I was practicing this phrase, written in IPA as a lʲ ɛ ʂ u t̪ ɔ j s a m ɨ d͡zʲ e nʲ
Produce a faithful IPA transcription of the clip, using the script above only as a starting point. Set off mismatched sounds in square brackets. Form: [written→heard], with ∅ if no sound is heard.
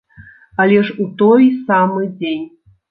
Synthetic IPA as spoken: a lʲ ɛ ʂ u t̪ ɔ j s a m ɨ d͡zʲ e nʲ